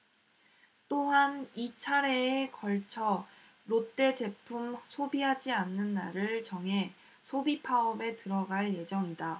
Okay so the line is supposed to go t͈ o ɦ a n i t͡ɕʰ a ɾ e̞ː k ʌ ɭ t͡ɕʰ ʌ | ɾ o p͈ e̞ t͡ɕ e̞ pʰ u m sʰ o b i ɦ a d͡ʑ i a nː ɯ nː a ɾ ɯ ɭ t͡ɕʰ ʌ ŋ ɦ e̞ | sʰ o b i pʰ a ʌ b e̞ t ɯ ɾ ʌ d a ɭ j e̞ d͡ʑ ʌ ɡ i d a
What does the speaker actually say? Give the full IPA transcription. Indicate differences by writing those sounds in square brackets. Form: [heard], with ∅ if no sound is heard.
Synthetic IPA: t͈ o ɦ a n i t͡ɕʰ a ɾ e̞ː k ʌ ɭ t͡ɕʰ ʌ | ɾ o [t͈] e̞ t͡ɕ e̞ pʰ u m sʰ o b i ɦ a d͡ʑ i a nː ɯ nː a ɾ ɯ ɭ [t͡ɕ] ʌ ŋ ɦ e̞ | sʰ o b i pʰ a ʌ b e̞ t ɯ ɾ ʌ [ɡ] a ɭ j e̞ d͡ʑ ʌ [ŋ] i d a

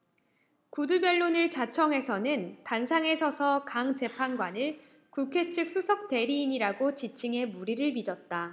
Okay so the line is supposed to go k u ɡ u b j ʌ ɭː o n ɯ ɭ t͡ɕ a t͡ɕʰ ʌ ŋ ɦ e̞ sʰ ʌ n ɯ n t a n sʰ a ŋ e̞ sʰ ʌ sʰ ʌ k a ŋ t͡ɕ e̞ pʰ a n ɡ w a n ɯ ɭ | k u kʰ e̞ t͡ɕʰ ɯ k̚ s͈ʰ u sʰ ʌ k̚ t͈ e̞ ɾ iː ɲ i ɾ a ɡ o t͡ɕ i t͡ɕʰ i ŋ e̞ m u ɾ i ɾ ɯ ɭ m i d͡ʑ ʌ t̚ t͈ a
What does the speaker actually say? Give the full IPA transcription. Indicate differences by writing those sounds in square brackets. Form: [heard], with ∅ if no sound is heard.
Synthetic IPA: k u [d] u b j ʌ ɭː o n ɯ ɭ t͡ɕ a t͡ɕʰ ʌ ŋ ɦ e̞ sʰ ʌ n ɯ n t a n sʰ a ŋ e̞ sʰ ʌ sʰ ʌ k a ŋ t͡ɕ e̞ pʰ a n ɡ w a n ɯ ɭ | k u kʰ e̞ t͡ɕʰ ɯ k̚ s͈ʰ u sʰ ʌ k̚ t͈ e̞ ɾ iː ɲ i ɾ a ɡ o t͡ɕ i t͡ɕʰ i ŋ e̞ m u ɾ i ɾ ɯ ɭ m i d͡ʑ ʌ t̚ t͈ a

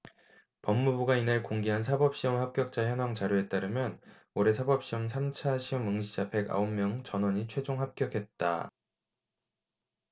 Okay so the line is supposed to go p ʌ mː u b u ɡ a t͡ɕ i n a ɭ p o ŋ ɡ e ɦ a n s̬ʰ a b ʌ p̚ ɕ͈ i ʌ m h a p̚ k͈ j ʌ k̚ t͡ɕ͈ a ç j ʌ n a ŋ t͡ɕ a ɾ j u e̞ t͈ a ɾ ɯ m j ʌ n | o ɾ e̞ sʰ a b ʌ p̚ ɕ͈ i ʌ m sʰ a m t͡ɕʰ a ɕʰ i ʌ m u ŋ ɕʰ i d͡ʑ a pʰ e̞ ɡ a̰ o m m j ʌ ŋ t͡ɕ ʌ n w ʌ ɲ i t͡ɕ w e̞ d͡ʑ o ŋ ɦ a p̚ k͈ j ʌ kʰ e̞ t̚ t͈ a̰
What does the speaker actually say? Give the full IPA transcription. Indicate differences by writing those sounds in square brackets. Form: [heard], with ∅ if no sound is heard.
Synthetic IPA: p ʌ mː u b u ɡ a [∅] i n a ɭ [k] o ŋ ɡ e ɦ a n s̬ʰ a b ʌ p̚ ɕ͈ i ʌ m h a p̚ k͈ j ʌ k̚ t͡ɕ͈ a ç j ʌ n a ŋ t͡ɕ a ɾ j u e̞ t͈ a ɾ ɯ m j ʌ n | o ɾ e̞ sʰ a b ʌ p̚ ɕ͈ i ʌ m sʰ a m t͡ɕʰ a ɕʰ i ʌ m [ɯ] ŋ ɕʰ i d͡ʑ a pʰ e̞ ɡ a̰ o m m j ʌ ŋ t͡ɕ ʌ n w ʌ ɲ i [t͡ɕʰ] w e̞ d͡ʑ o ŋ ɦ a p̚ k͈ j ʌ kʰ e̞ t̚ t͈ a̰

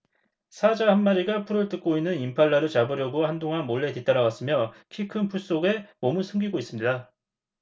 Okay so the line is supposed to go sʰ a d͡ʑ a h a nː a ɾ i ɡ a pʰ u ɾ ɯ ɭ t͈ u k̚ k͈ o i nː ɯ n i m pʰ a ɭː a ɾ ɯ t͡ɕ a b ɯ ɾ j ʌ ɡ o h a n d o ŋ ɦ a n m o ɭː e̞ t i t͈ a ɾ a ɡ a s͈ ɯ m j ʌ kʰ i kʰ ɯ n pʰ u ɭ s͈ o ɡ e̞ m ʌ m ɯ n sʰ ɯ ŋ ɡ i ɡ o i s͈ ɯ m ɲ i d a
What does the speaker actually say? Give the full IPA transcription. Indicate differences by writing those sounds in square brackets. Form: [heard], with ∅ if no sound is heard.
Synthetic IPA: sʰ a d͡ʑ a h a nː a ɾ i ɡ a pʰ u ɾ ɯ ɭ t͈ [ɯ] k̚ k͈ o i nː ɯ n i m pʰ a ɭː a ɾ ɯ t͡ɕ a b ɯ ɾ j ʌ ɡ o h a n d o ŋ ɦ a n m o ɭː e̞ t i t͈ a ɾ a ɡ a s͈ ɯ m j ʌ kʰ i kʰ ɯ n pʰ u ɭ s͈ o ɡ e̞ m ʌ m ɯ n sʰ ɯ ŋ ɡ i ɡ o i s͈ ɯ m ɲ i d a

